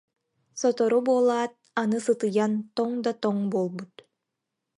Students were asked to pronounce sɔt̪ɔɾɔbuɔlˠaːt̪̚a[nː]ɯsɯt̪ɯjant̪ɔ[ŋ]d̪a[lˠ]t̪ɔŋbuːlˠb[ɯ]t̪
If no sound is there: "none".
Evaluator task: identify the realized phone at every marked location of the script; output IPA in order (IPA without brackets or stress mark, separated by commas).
n, ŋ, none, u